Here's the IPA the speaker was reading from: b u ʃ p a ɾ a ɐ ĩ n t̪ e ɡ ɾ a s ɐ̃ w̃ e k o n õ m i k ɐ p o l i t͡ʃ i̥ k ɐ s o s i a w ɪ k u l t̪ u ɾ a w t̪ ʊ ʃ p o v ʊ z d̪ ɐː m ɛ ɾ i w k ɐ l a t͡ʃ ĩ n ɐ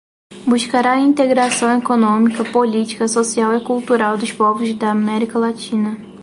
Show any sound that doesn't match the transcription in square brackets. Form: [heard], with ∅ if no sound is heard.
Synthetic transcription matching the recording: b u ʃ [k] a ɾ a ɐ ĩ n t̪ e ɡ ɾ a s ɐ̃ w̃ e k o n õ m i k ɐ p o l i t͡ʃ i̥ k ɐ s o s i a w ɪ k u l t̪ u ɾ a w [d̪] ʊ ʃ p [ɔ] v ʊ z d̪ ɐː m ɛ ɾ i [∅] k ɐ l a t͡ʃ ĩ n ɐ